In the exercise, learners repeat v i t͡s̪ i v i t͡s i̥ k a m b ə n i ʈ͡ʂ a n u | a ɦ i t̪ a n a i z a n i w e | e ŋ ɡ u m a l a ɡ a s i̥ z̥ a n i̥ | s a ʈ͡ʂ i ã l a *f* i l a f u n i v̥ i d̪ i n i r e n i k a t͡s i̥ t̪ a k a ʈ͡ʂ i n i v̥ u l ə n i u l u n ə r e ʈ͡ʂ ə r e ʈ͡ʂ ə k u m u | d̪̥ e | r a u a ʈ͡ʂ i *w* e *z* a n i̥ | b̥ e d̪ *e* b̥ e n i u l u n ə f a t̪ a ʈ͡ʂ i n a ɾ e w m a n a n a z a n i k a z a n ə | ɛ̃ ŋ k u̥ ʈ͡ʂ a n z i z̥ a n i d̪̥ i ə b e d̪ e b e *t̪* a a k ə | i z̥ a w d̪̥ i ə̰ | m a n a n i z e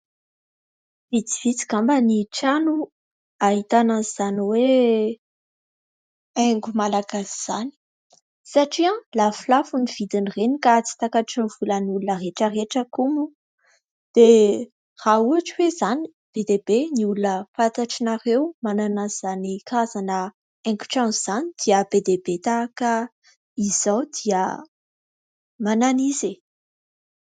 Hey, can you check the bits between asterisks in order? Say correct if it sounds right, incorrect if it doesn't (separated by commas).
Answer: correct, correct, correct, correct, correct